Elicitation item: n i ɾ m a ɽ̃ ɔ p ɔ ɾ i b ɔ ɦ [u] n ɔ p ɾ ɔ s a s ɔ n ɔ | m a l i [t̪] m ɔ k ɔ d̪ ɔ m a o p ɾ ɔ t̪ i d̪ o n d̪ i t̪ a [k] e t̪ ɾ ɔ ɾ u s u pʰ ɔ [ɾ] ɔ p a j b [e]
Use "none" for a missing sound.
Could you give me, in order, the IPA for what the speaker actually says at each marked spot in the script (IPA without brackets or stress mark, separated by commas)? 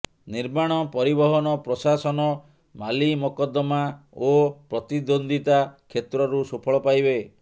ɔ, none, kʰ, ɭ, e